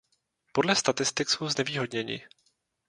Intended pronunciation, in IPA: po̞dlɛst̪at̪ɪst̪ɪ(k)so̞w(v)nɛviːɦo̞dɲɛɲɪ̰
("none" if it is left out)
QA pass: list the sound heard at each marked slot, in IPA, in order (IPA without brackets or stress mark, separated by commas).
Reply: k, z